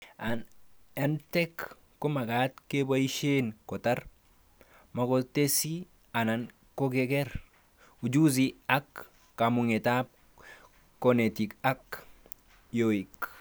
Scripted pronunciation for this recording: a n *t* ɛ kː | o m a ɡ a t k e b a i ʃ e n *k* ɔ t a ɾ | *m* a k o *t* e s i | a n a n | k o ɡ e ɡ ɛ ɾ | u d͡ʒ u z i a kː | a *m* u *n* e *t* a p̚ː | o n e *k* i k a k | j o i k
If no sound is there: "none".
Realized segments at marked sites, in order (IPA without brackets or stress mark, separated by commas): t, k, m, t, m, ŋ, t, t